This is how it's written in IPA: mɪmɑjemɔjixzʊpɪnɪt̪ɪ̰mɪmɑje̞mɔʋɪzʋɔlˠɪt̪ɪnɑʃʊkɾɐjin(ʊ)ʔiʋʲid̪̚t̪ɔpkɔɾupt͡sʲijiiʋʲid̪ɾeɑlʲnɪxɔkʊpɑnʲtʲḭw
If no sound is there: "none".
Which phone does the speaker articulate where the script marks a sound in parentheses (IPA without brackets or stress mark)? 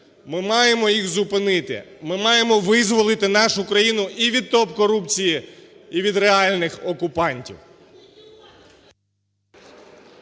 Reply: ʊ